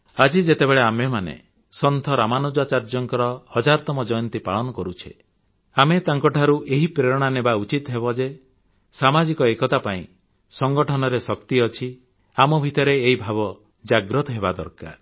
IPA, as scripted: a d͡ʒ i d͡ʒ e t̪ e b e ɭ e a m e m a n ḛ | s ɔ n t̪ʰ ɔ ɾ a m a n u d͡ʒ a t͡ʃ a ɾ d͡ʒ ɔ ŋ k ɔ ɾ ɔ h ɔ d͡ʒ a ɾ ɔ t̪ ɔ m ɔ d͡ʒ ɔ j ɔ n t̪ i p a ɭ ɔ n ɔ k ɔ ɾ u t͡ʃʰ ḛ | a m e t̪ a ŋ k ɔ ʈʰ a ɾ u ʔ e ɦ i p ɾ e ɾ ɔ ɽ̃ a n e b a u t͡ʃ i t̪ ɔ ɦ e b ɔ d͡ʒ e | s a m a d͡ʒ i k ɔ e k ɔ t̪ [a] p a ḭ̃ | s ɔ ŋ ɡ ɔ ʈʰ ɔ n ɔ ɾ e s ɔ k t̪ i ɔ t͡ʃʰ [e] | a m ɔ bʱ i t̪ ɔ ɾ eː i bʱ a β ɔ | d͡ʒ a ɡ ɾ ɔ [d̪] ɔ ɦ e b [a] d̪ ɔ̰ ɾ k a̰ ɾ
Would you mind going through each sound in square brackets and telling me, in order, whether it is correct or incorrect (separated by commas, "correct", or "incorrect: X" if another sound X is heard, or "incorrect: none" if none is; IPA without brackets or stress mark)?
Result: correct, incorrect: i, incorrect: t̪, correct